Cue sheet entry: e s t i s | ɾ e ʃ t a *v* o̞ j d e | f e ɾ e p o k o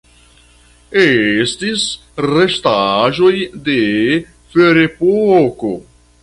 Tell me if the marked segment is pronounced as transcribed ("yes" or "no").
no